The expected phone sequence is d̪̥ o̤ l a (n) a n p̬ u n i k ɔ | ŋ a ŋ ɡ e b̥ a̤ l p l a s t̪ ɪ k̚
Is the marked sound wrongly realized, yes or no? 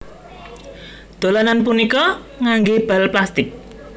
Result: no